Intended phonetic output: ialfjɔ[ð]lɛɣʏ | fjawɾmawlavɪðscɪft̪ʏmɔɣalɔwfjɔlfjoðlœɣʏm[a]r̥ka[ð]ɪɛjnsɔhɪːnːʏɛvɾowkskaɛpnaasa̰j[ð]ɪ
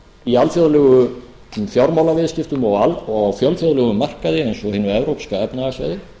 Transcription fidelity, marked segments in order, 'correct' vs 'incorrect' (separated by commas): correct, correct, correct, correct